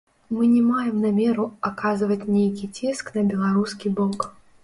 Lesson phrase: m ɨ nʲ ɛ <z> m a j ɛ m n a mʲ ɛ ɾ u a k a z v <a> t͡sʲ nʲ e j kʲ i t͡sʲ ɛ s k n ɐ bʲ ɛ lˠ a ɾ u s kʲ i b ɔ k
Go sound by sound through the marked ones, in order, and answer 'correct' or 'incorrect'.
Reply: incorrect, incorrect

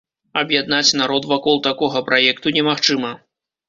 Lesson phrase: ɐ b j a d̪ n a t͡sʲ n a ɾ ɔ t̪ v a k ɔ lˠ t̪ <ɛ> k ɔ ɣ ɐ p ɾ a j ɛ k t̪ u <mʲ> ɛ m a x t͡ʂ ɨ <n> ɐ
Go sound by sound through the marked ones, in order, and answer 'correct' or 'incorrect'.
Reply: incorrect, incorrect, incorrect

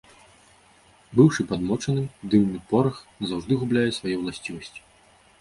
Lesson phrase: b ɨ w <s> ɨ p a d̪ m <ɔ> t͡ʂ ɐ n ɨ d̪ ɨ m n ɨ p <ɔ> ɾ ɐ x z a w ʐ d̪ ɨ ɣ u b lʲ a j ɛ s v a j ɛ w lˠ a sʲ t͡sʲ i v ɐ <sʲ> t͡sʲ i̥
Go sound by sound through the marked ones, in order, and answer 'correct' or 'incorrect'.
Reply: incorrect, correct, correct, correct

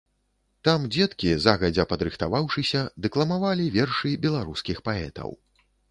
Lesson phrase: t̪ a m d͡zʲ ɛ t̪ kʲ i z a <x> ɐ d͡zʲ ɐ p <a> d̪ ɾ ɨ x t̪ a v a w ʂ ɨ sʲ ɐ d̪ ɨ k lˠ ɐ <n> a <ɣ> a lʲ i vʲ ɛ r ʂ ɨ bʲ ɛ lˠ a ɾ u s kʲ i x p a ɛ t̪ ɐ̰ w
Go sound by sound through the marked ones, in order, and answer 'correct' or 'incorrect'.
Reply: incorrect, incorrect, incorrect, incorrect

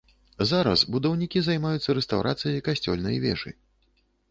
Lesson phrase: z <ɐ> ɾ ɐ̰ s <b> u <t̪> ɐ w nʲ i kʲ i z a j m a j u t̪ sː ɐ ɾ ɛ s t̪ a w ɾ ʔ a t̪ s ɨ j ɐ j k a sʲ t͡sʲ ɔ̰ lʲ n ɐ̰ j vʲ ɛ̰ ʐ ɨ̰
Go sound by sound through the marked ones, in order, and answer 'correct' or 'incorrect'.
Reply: incorrect, correct, incorrect

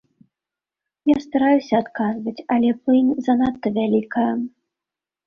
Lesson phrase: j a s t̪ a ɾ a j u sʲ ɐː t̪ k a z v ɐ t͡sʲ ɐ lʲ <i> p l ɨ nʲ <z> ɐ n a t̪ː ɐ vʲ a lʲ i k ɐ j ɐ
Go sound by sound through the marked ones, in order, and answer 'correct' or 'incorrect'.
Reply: incorrect, correct

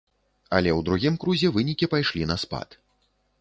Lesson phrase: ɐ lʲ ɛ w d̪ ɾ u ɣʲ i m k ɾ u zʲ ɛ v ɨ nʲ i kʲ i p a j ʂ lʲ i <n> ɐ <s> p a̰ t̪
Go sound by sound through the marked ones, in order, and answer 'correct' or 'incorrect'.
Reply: correct, correct

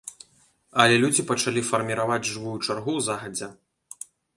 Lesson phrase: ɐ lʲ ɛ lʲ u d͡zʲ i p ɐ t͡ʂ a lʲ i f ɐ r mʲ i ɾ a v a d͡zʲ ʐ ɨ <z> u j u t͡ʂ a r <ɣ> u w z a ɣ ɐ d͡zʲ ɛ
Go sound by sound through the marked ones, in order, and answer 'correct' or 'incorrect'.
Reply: incorrect, correct

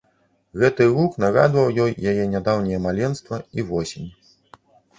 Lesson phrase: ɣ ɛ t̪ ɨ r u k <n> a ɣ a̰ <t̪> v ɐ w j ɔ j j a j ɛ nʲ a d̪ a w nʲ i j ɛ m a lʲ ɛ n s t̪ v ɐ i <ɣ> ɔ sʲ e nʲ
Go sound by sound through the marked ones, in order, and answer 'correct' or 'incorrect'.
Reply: correct, incorrect, incorrect

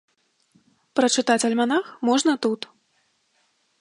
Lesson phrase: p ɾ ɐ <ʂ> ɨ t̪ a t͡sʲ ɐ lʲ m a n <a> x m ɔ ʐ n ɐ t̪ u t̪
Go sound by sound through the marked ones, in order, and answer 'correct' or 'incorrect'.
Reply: incorrect, correct

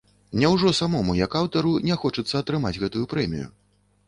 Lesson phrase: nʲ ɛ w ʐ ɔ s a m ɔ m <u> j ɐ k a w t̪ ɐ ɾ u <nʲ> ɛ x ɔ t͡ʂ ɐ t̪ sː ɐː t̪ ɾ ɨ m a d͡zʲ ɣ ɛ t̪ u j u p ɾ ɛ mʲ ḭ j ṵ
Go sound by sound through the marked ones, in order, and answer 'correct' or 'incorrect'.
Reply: correct, correct

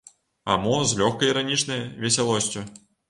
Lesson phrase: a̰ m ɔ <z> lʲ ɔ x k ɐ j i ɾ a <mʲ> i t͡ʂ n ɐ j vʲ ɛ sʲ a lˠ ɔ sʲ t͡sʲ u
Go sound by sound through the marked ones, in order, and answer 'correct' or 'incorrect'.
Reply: correct, incorrect

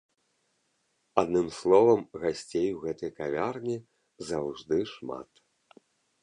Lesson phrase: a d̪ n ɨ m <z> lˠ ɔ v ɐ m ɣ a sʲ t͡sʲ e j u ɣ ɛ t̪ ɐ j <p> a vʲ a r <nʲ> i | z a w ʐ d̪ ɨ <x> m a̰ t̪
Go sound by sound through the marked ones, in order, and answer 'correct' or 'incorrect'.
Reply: incorrect, incorrect, correct, incorrect

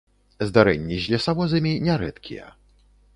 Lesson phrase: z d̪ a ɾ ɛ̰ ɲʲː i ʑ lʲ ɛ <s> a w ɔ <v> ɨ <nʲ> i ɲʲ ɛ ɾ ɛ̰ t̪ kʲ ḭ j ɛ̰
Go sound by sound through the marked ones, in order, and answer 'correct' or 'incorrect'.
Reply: correct, incorrect, incorrect

